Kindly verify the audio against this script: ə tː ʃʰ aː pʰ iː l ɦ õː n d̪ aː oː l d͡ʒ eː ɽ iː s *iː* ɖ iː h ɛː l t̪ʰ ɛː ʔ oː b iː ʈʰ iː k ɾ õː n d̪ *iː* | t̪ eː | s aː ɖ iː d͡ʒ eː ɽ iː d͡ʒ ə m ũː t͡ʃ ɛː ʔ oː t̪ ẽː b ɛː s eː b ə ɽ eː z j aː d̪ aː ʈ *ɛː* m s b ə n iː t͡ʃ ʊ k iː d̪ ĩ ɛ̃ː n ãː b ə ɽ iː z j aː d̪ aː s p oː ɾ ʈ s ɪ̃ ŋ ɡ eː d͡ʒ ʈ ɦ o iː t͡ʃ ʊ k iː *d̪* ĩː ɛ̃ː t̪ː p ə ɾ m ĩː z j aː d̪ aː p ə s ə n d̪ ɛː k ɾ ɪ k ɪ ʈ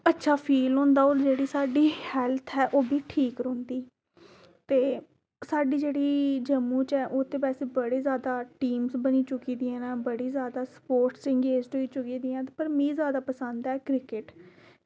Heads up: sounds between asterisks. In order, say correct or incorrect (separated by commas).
incorrect, correct, incorrect, correct